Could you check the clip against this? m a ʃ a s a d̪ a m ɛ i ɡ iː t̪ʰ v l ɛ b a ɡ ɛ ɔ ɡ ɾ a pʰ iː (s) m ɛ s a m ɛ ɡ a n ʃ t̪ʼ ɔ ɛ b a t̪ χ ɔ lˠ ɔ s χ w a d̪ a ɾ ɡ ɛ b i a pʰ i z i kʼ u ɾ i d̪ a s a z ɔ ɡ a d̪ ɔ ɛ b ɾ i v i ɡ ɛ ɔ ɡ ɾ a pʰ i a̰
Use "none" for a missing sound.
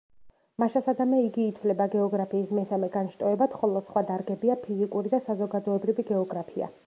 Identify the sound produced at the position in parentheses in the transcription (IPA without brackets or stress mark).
s